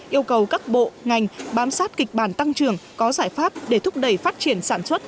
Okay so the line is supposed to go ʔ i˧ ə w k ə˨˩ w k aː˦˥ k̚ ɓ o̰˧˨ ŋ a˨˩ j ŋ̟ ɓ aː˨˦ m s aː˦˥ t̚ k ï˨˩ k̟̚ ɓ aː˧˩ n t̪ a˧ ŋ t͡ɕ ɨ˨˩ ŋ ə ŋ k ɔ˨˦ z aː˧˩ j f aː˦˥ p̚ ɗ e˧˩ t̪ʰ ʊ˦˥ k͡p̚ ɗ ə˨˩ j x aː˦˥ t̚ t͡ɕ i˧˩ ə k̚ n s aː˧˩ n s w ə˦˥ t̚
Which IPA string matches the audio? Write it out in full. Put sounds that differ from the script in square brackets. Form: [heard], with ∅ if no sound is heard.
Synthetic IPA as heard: ʔ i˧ ə w k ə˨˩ w k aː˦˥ k̚ ɓ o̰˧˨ ŋ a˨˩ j ŋ̟ ɓ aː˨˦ m s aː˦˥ t̚ k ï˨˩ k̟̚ ɓ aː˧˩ n t̪ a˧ ŋ t͡ɕ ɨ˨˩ [∅] ə ŋ k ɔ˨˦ z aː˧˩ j f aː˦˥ p̚ ɗ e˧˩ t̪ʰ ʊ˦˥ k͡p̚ ɗ ə˨˩ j [f] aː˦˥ t̚ t͡ɕ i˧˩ ə [∅] n s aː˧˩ n s w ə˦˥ t̚